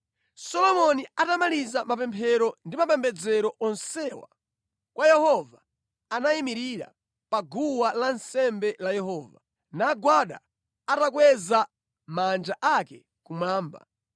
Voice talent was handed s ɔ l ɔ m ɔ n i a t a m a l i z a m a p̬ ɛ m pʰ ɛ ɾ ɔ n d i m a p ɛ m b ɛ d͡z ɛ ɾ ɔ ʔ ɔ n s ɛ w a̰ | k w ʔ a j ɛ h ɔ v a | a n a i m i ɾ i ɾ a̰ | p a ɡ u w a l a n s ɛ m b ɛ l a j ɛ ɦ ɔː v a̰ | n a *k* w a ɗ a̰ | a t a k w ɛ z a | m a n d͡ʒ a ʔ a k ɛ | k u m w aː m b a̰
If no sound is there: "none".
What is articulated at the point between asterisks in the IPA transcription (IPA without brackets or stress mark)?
ɡ